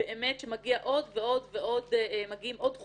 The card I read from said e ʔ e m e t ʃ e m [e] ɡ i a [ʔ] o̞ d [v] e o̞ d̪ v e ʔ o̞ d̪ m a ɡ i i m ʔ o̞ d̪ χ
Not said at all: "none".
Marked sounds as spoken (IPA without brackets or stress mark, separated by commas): a, ʔ, v